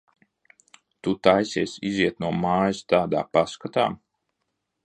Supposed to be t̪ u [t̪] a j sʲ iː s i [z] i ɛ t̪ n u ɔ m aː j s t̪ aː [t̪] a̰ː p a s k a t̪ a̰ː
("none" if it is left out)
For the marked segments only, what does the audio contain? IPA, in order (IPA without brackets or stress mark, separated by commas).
t̪, z, d̪